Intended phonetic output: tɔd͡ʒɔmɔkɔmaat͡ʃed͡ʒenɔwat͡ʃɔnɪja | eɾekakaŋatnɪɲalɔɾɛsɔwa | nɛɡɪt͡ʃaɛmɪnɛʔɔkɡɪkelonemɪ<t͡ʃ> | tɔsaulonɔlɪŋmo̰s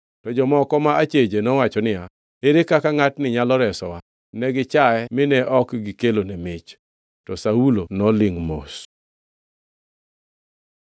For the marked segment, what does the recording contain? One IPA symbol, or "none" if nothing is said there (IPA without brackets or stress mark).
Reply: t͡ʃ